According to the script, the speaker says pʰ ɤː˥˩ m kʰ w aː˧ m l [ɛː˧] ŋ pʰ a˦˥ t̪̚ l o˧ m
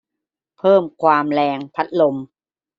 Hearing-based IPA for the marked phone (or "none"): ɛː˧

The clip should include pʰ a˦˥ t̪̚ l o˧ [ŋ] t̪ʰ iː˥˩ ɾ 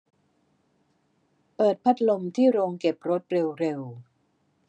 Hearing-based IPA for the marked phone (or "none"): m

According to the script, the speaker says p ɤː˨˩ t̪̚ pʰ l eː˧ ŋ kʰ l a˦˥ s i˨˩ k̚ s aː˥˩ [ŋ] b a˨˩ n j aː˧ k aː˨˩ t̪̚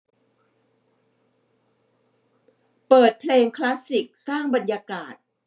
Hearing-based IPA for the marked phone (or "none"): ŋ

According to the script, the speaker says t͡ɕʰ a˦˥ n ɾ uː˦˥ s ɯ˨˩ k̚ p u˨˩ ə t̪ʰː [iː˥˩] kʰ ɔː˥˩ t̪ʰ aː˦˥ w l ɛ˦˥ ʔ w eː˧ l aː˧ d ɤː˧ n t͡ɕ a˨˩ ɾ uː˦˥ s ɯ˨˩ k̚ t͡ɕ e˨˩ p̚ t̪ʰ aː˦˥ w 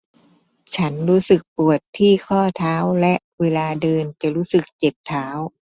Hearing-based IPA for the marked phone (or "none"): iː˥˩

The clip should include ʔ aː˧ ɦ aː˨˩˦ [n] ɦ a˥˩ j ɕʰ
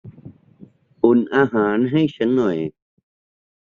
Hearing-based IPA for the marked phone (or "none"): n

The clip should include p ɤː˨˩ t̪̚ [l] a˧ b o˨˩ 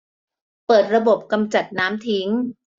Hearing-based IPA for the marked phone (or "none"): ɾ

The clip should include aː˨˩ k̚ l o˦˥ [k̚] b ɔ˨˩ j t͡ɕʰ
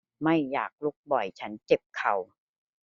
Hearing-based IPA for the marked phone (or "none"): k̚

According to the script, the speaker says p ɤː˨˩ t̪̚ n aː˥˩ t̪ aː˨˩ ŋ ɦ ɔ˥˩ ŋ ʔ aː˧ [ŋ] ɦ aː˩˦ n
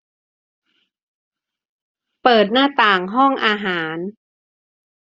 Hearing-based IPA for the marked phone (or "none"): none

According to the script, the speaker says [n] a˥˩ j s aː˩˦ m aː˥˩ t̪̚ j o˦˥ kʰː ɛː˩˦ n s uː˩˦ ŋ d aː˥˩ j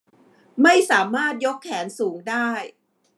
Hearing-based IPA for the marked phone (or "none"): m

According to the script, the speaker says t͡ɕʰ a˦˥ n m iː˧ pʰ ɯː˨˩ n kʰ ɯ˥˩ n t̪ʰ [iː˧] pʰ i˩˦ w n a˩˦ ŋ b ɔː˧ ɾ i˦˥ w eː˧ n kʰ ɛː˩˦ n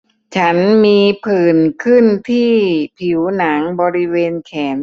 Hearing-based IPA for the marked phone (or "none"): iː˥˩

